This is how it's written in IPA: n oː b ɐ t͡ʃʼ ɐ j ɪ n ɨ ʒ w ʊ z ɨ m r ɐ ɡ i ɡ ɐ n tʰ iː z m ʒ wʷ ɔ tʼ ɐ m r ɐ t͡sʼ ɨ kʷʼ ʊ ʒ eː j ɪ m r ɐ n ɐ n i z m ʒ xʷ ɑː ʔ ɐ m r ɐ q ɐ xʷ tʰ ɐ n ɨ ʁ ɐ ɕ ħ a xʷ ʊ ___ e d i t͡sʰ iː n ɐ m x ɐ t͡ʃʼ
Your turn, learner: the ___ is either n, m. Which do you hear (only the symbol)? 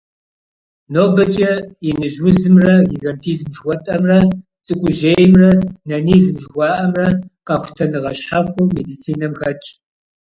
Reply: m